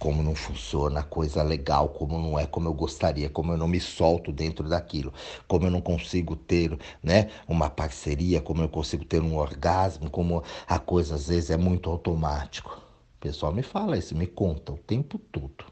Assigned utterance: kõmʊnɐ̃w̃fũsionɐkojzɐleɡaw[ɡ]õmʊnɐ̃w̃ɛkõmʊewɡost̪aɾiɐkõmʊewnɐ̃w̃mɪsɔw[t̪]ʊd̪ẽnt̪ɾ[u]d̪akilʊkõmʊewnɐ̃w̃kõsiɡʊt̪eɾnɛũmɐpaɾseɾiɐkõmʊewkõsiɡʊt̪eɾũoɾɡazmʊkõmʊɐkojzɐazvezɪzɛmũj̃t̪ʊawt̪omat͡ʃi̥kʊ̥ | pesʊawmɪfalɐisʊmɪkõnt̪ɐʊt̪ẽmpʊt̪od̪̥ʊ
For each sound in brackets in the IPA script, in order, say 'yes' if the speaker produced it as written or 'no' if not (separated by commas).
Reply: no, yes, no